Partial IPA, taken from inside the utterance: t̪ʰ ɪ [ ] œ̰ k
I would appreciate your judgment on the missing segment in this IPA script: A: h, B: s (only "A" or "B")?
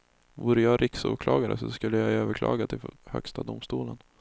A